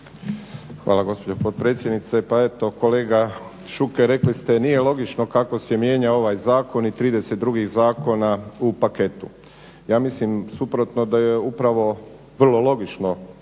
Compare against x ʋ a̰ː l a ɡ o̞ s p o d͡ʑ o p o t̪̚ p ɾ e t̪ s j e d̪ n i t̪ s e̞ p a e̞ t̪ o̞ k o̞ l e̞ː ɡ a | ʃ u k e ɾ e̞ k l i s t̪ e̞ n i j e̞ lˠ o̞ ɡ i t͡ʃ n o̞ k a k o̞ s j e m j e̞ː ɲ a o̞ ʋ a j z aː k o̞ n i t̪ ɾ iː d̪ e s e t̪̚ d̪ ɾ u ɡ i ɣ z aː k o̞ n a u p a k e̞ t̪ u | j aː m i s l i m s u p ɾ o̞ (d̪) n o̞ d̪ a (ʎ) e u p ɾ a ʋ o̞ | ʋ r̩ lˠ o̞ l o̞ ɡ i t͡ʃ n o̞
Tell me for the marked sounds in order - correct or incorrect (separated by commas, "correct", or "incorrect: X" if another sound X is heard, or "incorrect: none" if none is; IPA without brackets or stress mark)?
incorrect: t̪, incorrect: j